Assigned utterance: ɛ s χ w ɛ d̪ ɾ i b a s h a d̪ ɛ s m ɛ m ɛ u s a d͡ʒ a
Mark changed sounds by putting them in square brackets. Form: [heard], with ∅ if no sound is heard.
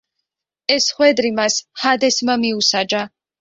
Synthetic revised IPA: ɛ s χ w ɛ d̪ ɾ i [m] a s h a d̪ ɛ s m [a] m [i] u s a d͡ʒ a